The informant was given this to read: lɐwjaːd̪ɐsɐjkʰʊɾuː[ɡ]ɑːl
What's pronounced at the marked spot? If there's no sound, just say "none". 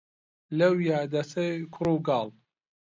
ɡ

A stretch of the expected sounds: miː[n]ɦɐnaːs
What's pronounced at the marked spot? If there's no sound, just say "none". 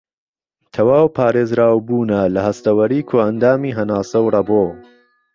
none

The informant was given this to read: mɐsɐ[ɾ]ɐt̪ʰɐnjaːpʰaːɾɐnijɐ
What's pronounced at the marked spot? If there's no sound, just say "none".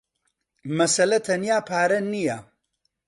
l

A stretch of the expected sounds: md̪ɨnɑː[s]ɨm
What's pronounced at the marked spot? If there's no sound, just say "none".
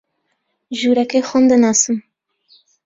s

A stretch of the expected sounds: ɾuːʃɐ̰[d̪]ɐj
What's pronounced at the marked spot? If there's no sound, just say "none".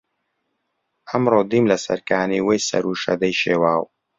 d̪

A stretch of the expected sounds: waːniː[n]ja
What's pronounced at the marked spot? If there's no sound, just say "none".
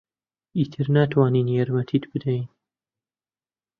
n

